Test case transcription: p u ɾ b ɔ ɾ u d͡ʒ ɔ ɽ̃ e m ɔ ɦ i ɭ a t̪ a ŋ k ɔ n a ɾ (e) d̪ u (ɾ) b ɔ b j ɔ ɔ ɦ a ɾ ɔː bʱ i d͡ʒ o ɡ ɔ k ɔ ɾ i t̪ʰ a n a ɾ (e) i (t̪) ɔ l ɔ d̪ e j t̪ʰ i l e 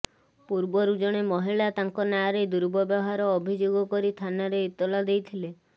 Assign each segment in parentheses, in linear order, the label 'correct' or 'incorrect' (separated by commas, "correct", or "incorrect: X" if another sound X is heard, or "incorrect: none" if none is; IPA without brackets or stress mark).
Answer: correct, correct, correct, correct